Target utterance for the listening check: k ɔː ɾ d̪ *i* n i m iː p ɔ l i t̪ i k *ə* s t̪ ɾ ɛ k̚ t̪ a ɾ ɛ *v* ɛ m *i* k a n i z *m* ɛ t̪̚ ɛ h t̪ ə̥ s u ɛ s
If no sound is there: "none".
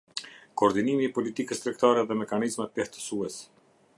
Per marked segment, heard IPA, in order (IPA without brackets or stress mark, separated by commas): i, ə, ð, ɛ, m